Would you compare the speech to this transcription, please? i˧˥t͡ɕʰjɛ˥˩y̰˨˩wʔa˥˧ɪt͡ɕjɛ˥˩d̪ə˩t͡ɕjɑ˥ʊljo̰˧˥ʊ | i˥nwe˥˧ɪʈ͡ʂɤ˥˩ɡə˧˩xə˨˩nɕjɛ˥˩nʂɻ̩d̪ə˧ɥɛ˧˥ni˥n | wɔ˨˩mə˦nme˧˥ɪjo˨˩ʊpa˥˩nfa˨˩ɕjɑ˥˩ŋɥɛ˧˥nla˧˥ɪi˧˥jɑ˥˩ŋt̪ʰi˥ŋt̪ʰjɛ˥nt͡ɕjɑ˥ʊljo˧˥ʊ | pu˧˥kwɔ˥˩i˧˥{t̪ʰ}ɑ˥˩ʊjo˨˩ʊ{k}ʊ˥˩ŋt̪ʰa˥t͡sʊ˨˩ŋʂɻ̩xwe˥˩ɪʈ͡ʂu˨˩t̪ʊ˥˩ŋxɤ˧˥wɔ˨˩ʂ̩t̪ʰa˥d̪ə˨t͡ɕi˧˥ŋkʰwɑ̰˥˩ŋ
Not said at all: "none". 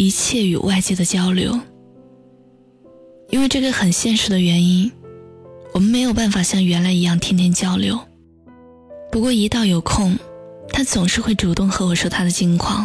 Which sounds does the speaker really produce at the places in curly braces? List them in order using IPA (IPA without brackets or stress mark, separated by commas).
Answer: t̪, kʰ